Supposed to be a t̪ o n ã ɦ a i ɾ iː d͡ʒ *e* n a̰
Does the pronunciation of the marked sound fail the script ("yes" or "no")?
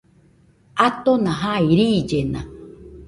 no